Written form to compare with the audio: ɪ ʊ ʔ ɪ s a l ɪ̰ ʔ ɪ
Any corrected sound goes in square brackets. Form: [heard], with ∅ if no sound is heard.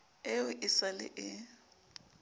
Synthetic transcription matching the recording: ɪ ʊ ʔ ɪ s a l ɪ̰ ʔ ɪ